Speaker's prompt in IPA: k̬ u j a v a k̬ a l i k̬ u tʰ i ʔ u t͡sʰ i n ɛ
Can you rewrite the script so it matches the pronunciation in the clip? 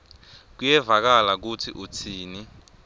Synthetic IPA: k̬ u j ɛ v a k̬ a l a k̬ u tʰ i ʔ u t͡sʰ iː n i